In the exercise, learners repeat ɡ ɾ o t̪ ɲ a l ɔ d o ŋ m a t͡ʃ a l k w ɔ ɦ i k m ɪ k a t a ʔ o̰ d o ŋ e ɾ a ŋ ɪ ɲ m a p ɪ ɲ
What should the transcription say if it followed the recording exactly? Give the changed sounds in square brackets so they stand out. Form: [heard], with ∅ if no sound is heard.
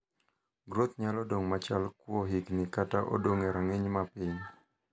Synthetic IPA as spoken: ɡ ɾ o t̪ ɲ a l ɔ d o ŋ m a t͡ʃ a l k w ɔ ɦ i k [n] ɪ k a t a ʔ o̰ d o ŋ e ɾ a ŋ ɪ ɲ m a p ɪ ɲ